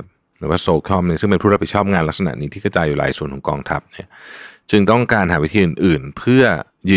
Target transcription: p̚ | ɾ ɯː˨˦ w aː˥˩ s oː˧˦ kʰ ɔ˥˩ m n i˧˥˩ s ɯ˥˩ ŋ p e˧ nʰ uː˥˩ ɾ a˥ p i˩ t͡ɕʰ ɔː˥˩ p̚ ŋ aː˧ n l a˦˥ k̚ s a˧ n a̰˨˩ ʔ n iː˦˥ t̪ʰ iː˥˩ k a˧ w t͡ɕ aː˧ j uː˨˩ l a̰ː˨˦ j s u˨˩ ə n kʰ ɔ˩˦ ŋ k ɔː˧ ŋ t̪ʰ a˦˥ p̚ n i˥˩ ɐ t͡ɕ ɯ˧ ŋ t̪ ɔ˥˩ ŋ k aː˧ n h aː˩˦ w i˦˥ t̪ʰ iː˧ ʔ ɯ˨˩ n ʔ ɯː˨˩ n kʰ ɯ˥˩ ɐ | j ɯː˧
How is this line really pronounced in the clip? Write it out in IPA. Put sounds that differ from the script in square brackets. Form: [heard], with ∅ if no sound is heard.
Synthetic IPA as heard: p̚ | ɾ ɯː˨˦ w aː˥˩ s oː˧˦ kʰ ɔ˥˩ m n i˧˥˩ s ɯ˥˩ ŋ p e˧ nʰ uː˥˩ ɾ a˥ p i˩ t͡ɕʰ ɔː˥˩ p̚ ŋ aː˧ n l a˦˥ k̚ s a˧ n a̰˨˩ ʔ n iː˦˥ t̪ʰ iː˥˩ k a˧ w t͡ɕ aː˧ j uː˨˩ l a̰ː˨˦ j s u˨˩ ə n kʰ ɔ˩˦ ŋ k ɔː˧ ŋ t̪ʰ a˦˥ p̚ n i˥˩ ɐ t͡ɕ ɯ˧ ŋ t̪ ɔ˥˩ ŋ k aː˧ n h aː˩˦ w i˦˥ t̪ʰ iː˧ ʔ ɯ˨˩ n ʔ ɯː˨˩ n [pʰ] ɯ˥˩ ɐ | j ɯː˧